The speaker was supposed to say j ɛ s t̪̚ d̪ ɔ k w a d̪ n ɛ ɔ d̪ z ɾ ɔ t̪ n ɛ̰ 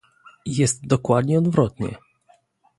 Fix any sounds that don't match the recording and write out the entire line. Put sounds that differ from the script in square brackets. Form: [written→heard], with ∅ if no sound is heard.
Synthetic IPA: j ɛ s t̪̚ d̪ ɔ k w a d̪ [n→ɲ] ɛ ɔ d̪ [z→v] ɾ ɔ t̪ [n→ɲ] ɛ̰